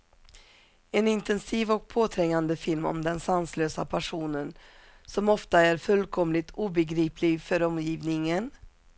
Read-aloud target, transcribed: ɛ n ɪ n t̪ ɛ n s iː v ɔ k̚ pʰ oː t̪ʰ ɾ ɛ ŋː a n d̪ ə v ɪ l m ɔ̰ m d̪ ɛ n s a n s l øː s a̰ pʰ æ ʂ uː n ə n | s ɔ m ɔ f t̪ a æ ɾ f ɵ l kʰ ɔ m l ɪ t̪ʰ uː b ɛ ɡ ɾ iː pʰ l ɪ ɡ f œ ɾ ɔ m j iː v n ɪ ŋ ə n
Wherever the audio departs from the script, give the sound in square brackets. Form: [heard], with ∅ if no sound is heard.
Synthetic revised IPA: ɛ n ɪ n t̪ ɛ n s iː v ɔ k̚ pʰ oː t̪ʰ ɾ ɛ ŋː a n d̪ ə [f] ɪ l m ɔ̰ m d̪ ɛ n s a n s l øː s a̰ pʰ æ ʂ uː n ə n | s ɔ m ɔ f t̪ a æ ɾ f ɵ l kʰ ɔ m l ɪ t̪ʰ uː b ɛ ɡ ɾ iː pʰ l ɪ ɡ f œ ɾ ɔ m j iː v n ɪ ŋ ə n